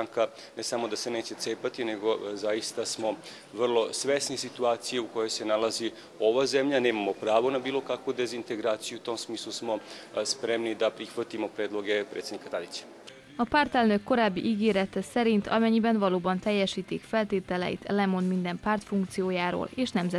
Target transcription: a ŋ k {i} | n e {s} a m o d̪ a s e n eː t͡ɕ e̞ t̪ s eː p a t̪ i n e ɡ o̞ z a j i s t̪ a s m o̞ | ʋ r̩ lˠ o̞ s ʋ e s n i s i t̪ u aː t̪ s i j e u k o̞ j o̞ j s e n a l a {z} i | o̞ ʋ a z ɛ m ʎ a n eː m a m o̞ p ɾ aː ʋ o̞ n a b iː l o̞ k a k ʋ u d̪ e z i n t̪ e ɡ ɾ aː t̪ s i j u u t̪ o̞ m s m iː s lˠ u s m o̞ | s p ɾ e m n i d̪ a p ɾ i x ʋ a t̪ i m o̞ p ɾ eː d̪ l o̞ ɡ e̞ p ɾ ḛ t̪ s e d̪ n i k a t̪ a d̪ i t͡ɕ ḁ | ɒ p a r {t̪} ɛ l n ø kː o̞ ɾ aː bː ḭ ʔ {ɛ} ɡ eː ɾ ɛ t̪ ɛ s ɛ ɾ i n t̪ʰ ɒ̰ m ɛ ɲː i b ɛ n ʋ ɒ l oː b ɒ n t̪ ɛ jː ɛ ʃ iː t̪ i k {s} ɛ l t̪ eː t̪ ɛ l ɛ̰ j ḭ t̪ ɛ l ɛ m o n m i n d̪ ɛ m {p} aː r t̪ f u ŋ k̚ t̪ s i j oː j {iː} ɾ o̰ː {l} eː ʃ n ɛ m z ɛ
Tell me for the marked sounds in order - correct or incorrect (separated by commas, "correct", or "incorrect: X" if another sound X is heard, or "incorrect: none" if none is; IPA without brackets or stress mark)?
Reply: incorrect: a, correct, correct, correct, incorrect: i, incorrect: f, correct, incorrect: aː, correct